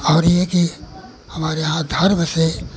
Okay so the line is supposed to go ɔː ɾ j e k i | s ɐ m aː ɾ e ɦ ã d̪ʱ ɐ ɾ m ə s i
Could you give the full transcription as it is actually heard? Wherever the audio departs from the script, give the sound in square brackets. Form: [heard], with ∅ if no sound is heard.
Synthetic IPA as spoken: ɔː ɾ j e k i | [h] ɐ m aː ɾ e ɦ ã d̪ʱ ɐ ɾ m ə s [e]